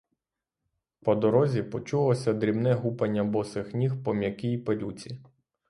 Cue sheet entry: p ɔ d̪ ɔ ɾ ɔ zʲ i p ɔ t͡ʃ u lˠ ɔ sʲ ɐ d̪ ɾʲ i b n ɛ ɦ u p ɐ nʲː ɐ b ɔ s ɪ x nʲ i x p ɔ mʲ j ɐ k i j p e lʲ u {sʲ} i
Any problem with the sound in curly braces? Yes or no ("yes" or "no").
yes